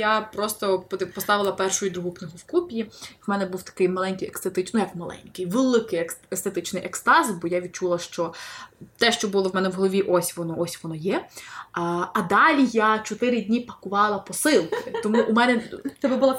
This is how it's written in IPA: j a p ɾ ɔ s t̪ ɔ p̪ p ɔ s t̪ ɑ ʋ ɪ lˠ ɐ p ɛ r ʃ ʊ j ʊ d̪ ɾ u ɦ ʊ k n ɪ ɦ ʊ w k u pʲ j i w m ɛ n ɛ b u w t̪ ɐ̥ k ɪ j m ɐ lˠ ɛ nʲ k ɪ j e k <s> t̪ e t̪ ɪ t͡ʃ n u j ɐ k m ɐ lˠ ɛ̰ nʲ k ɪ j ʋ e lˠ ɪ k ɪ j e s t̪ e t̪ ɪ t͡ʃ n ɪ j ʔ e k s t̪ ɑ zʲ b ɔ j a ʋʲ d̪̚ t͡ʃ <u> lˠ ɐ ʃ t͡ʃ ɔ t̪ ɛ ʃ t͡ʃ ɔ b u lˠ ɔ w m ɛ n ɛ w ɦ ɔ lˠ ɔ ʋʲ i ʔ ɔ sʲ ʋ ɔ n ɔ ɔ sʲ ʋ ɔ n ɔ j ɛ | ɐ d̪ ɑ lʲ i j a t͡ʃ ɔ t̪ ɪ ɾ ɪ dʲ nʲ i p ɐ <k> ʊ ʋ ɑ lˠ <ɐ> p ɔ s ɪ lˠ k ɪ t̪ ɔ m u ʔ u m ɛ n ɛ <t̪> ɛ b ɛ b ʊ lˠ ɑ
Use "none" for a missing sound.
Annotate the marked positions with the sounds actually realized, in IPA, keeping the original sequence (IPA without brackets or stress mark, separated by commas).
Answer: s, u, k, ɐ, t̪